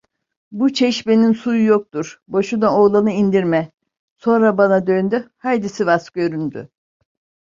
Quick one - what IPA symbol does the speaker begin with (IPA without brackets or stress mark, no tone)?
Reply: b